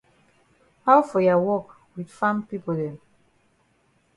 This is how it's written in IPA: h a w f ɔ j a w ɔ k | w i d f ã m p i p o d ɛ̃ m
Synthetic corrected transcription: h a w f ɔ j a w ɔ k | w i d f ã m p i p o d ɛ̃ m